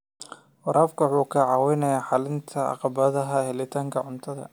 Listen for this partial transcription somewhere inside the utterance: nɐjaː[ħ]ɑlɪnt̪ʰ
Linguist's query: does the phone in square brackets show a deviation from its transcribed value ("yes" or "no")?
no